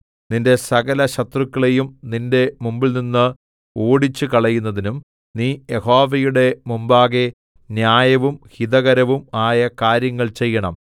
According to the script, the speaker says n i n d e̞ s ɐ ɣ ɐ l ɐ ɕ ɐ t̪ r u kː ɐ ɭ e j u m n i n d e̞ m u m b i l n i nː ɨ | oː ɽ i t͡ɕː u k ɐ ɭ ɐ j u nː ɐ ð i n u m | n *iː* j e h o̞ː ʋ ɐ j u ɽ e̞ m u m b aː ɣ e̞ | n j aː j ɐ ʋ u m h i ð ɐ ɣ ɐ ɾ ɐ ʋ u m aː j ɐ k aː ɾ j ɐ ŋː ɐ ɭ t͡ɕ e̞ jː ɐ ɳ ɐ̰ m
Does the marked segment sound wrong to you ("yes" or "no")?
no